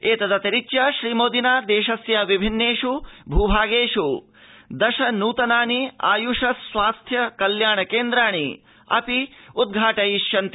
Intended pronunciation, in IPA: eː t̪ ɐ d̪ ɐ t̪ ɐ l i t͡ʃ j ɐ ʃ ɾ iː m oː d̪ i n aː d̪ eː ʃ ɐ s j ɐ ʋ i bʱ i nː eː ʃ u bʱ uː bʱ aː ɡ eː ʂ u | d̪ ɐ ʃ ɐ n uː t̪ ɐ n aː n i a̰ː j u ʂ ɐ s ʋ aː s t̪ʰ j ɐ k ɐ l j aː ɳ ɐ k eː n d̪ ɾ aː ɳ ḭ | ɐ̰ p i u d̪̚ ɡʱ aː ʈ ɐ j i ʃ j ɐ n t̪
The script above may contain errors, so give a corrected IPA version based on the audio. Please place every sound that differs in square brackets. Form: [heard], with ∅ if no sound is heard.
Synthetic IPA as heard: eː t̪ ɐ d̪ ɐ t̪ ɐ [ɾ] i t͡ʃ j ɐ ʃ ɾ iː m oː d̪ i n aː d̪ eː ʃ ɐ s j ɐ ʋ i bʱ i nː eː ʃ u bʱ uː bʱ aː ɡ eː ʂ u | d̪ ɐ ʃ ɐ n uː t̪ ɐ n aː n i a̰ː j u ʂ ɐ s ʋ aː s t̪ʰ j ɐ k ɐ l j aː ɳ ɐ k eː n d̪ ɾ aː ɳ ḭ | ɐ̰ p i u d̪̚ ɡʱ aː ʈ ɐ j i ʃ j ɐ n t̪